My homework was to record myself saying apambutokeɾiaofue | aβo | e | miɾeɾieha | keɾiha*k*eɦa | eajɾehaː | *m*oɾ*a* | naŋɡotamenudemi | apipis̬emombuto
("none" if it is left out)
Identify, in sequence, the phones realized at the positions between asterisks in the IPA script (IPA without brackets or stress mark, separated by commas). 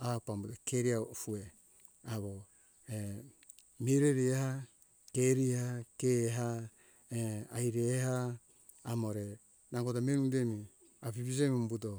k, m, e